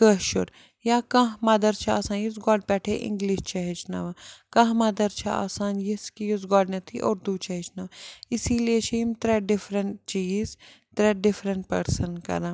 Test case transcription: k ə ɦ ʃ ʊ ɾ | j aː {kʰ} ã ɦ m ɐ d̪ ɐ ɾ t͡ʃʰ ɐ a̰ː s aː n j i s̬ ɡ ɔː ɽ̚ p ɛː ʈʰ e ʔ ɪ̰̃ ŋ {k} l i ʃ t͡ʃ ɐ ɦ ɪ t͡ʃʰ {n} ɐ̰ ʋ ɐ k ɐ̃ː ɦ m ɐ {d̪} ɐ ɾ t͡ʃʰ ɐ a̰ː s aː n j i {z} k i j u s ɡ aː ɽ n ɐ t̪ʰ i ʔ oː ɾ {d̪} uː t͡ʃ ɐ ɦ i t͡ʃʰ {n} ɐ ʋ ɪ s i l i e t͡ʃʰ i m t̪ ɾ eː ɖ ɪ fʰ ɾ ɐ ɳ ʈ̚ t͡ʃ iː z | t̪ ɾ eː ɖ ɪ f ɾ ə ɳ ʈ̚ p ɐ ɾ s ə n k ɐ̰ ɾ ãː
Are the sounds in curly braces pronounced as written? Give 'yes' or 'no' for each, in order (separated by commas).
no, no, yes, yes, no, yes, yes